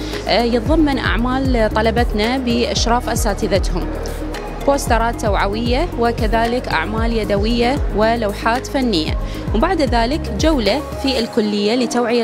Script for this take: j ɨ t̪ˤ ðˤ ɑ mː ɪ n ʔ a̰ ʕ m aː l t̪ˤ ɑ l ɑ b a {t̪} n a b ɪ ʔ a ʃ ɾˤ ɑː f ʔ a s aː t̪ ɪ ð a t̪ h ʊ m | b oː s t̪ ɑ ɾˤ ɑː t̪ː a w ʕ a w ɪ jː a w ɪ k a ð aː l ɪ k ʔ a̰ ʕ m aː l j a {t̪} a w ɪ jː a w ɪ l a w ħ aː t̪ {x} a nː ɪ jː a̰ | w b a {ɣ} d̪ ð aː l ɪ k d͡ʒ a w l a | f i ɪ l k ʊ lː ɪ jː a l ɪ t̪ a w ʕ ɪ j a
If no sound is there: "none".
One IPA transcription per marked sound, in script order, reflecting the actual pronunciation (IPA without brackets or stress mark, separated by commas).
t̪, d̪, f, ʕ